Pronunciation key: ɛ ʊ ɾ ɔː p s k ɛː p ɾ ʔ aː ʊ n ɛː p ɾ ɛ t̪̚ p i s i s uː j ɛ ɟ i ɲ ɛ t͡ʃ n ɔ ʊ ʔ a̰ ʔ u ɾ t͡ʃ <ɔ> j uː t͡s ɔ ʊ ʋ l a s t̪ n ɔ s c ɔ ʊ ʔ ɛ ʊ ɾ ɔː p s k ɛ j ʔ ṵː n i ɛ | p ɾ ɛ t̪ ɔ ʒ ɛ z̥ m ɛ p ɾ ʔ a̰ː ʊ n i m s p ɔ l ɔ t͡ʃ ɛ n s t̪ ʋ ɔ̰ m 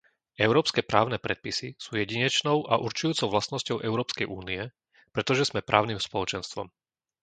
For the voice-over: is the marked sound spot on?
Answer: no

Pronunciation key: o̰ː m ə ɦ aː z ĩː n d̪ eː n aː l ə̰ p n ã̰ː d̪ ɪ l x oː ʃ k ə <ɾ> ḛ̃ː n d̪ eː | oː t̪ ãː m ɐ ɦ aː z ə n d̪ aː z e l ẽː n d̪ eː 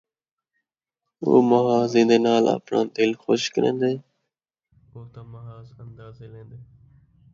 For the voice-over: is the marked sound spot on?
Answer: yes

